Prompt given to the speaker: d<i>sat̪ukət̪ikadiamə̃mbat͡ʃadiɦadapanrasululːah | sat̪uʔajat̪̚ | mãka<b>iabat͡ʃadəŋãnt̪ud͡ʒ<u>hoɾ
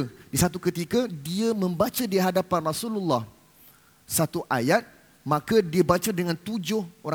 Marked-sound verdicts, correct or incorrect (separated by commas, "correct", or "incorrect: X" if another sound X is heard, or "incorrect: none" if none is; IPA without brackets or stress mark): correct, incorrect: d, incorrect: ʊ